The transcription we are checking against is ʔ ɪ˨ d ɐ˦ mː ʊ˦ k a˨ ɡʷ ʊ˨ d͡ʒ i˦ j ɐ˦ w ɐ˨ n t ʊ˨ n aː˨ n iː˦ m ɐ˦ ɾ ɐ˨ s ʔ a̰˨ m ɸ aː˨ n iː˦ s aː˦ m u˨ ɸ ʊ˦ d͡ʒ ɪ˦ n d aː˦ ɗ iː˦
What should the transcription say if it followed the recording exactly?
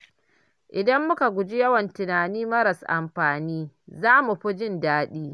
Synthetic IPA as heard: ʔ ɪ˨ d ɐ˦ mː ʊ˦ k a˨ ɡʷ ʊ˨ d͡ʒ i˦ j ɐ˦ w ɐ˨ n t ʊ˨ n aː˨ n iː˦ m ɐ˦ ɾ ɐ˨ s ʔ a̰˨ m ɸ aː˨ n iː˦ z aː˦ m u˨ ɸ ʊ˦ d͡ʒ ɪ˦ n d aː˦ ɗ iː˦